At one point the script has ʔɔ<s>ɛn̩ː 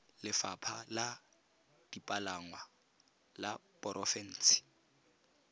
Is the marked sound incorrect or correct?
incorrect